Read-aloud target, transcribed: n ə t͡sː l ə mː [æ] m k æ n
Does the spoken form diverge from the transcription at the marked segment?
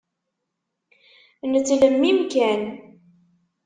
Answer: yes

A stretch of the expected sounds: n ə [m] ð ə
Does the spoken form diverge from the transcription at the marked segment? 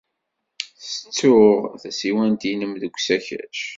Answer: no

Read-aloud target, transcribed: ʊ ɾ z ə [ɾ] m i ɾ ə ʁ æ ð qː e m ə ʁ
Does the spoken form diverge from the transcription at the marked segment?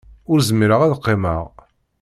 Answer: yes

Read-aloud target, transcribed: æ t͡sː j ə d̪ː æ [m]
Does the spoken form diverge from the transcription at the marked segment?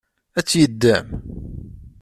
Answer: no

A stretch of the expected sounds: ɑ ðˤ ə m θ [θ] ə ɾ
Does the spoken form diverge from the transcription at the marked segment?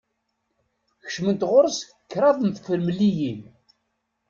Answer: yes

